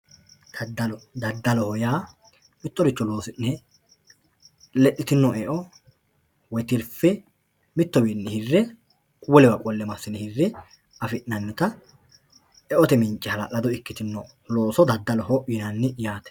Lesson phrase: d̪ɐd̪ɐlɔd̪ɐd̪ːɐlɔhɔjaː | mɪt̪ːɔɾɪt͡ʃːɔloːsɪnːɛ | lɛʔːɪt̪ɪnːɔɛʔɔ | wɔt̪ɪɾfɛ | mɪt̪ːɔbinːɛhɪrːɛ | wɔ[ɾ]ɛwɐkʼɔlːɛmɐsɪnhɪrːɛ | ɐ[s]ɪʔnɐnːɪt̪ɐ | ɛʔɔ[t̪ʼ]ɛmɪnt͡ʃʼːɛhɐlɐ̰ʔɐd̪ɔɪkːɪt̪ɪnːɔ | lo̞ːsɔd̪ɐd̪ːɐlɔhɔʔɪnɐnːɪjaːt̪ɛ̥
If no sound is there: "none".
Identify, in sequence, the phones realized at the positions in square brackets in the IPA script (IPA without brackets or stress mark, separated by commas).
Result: l, f, t̪